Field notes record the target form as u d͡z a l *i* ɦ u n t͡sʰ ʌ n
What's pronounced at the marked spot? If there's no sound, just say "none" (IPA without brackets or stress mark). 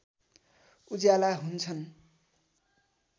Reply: a